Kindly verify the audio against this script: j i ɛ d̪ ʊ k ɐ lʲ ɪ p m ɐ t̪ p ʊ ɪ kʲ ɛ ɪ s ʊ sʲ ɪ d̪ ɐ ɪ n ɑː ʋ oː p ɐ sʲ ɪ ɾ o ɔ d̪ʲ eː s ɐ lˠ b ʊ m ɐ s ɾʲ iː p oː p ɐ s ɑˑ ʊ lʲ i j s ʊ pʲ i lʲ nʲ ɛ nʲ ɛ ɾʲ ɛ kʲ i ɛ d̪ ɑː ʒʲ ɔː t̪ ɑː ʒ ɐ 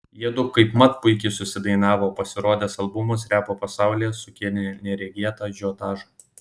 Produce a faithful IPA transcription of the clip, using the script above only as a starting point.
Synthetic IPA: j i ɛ d̪ ʊ k ɐ ɪ p m ɐ t̪ p ʊ ɪ kʲ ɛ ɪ s ʊ sʲ ɪ d̪ ɐ ɪ n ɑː ʋ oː p ɐ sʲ ɪ ɾ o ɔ d̪ʲ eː s ɐ lˠ b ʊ m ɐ s ɾʲ æː p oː p ɐ s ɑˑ ʊ lʲ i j s ʊ kʲ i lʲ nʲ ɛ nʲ ɛ ɾʲ ɛ ɡʲ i ɛ t̪ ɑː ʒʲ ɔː t̪ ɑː ʒ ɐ